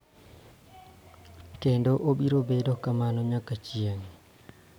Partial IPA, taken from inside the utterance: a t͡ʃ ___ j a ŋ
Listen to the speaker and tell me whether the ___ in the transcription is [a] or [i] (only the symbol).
i